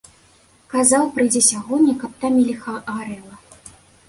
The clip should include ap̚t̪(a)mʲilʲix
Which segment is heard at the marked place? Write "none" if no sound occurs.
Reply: a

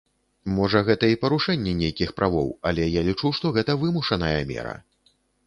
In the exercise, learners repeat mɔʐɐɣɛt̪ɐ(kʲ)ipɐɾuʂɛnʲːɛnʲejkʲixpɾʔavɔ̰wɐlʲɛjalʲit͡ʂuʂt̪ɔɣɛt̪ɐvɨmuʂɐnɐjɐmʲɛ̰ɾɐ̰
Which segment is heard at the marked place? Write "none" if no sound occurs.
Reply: none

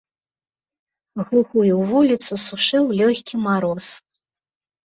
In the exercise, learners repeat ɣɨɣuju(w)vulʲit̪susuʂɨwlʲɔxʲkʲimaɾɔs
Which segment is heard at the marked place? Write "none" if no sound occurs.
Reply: w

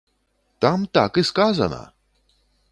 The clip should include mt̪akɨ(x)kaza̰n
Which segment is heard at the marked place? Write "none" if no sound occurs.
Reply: s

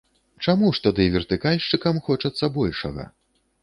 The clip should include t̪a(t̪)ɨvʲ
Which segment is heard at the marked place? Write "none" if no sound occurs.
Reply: d̪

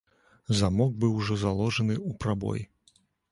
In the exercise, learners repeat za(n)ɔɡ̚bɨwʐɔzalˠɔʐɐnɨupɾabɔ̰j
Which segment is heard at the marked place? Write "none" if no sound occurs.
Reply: m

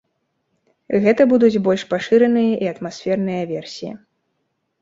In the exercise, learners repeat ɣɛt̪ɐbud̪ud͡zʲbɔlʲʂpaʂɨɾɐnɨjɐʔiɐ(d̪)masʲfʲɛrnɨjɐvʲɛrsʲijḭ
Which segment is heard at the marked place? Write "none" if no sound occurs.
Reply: t̪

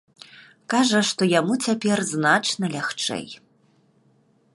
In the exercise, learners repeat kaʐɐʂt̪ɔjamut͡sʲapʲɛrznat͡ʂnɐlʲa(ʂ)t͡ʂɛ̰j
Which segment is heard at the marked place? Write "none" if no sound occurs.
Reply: x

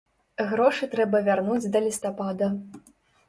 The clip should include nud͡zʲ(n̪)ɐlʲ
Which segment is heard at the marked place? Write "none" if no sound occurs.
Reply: d̪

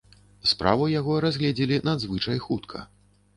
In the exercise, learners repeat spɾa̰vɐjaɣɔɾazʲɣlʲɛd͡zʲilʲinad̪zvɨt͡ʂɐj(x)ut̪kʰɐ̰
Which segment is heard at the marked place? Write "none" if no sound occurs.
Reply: x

